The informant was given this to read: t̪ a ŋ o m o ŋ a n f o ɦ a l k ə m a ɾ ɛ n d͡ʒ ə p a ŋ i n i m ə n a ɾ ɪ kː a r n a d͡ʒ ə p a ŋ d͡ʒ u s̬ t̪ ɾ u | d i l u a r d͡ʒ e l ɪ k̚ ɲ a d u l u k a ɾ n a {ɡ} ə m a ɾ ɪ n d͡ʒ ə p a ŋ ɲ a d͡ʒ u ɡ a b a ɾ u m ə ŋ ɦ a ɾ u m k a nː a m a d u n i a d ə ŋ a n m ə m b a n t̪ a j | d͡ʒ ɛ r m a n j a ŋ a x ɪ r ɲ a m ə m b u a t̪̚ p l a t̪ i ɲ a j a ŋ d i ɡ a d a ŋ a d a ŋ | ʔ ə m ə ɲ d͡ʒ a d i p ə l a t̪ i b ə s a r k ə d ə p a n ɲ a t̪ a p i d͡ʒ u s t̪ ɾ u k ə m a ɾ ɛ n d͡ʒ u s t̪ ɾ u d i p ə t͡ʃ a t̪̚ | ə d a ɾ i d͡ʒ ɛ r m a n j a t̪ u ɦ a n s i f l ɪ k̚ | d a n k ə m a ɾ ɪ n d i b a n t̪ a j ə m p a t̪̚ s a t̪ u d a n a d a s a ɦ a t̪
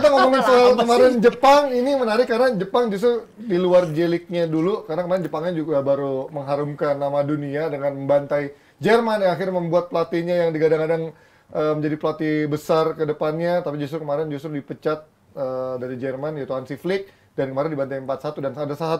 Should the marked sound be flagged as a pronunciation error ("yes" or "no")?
yes